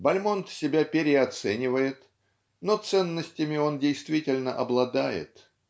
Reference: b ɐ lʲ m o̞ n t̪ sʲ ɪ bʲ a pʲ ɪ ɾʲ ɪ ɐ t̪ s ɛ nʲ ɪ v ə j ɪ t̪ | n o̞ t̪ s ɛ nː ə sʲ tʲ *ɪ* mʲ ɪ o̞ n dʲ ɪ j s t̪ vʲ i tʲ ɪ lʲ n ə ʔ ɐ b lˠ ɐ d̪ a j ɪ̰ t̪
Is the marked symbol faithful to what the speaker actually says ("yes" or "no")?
yes